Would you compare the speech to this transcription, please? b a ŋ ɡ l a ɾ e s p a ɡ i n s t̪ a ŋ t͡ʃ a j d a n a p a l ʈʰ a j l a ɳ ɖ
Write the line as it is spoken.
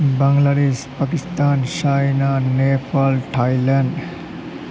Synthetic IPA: b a ŋ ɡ l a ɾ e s p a k i s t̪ a n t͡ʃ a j n a n e p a l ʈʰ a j l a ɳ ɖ